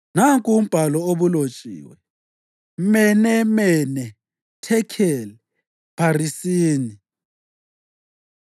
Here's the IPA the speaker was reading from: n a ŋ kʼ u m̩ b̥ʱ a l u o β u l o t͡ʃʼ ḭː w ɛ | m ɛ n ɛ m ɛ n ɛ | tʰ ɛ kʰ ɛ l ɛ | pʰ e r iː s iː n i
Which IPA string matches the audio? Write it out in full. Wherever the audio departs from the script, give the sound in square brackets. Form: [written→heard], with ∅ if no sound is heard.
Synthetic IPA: n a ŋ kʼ u m̩ b̥ʱ a l [u→ɔ] o β u l o t͡ʃʼ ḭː w ɛ | m ɛ n ɛ m ɛ n ɛ | tʰ ɛ kʰ ɛ l ɛ | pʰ [e→a] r [iː→i] s iː n i